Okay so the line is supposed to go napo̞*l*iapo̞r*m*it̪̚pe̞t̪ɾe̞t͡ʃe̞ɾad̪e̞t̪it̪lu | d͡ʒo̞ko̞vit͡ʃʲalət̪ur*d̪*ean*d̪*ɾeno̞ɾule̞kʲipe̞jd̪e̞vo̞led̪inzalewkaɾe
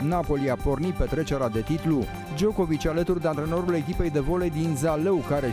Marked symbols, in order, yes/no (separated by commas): yes, no, yes, no